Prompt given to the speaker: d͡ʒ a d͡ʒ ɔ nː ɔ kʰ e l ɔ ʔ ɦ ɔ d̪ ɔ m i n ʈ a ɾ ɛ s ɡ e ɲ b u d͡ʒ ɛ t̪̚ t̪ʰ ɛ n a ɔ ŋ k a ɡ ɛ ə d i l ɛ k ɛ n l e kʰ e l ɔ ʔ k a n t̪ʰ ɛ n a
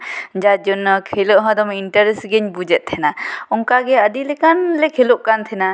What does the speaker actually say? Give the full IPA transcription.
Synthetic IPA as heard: d͡ʒ a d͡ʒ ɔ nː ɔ kʰ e l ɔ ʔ ɦ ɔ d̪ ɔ m i n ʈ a ɾ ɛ s ɡ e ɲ b u d͡ʒ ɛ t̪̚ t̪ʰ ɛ n a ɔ ŋ k a ɡ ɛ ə d i l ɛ k a n l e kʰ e l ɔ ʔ k a n t̪ʰ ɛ n a